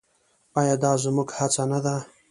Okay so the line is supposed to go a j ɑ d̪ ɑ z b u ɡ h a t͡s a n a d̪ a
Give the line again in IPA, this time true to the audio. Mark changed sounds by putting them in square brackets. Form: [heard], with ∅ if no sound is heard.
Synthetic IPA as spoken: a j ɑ d̪ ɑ z [m] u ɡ h a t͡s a n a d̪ a